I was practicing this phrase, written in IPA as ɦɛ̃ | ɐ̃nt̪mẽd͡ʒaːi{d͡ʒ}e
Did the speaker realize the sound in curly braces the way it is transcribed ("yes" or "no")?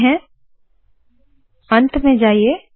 no